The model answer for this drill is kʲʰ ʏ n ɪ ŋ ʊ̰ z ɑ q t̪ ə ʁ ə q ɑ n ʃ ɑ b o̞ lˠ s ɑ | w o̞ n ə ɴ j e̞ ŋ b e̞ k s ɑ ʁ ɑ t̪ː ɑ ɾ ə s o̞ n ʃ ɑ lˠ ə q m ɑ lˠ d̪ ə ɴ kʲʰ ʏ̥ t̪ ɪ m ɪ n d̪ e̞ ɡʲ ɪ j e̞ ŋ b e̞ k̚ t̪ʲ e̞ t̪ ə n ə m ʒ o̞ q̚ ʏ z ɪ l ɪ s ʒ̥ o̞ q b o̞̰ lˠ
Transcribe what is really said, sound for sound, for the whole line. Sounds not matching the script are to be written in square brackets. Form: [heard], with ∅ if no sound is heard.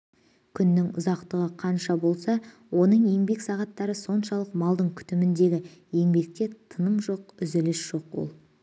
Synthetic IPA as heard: kʲʰ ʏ [nː] ɪ ŋ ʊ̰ z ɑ q t̪ ə ʁ ə [qʰ] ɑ n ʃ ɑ b o̞ lˠ s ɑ | w o̞ n ə ɴ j e̞ ŋ b e̞ k s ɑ ʁ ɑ t̪ː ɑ ɾ ə s o̞ n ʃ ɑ lˠ ə q m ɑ lˠ d̪ ə ɴ kʲʰ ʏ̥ t̪ ɪ m ɪ n d̪ e̞ ɡʲ ɪ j e̞ ŋ b e̞ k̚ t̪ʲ e̞ [t̪ʰ] ə n ə m ʒ o̞ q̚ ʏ z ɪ l ɪ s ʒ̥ o̞ q [w] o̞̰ lˠ